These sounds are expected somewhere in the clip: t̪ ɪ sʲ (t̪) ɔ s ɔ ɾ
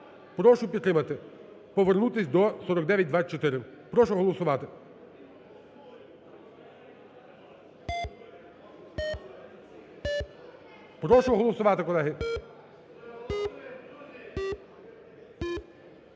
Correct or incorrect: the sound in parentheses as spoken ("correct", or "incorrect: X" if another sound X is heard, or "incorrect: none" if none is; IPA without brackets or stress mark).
incorrect: d̪